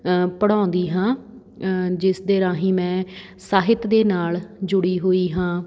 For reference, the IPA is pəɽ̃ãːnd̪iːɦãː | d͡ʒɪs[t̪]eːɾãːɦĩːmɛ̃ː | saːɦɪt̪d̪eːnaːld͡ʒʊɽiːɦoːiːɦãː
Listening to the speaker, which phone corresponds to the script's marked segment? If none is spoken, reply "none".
d̪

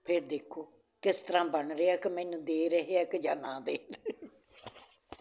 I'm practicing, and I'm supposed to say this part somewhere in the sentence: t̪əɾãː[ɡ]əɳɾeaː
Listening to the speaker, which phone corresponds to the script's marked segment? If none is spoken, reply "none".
b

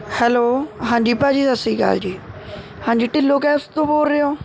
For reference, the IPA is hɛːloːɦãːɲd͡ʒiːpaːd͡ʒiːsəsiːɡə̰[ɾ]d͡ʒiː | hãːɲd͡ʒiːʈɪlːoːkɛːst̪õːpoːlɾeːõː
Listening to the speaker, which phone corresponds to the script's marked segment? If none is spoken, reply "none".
l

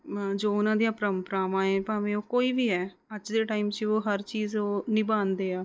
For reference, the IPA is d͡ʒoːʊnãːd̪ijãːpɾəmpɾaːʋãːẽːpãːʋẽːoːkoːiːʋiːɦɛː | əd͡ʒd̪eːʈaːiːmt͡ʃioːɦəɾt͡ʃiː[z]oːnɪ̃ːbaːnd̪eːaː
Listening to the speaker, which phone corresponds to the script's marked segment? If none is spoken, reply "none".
z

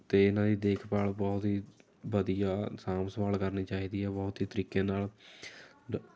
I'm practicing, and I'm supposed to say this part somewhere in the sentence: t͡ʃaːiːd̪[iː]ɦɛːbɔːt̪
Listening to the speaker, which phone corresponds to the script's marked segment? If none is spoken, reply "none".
iː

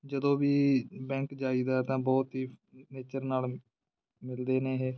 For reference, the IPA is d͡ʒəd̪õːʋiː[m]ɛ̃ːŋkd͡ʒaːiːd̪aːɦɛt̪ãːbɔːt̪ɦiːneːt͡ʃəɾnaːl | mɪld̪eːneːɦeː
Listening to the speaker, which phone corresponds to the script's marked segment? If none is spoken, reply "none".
b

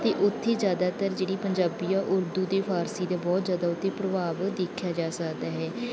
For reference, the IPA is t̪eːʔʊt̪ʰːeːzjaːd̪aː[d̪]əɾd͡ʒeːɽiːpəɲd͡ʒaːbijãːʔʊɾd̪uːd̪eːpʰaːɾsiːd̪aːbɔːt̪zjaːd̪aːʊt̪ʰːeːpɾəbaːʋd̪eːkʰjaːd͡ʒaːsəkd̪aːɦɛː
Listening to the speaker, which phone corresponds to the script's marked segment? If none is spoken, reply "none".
t̪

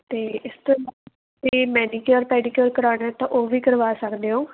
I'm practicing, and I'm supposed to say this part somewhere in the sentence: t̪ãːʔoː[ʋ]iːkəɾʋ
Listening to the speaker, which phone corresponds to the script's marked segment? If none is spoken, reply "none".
ʋ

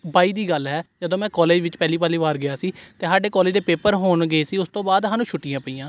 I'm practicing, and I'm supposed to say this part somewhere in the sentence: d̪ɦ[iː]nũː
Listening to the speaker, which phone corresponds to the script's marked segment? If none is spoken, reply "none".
aː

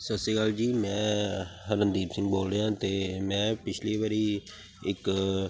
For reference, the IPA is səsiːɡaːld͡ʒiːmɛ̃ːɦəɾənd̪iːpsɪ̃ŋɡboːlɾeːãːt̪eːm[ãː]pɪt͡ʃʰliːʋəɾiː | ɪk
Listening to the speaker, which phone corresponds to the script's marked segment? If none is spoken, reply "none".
ɛ̃ː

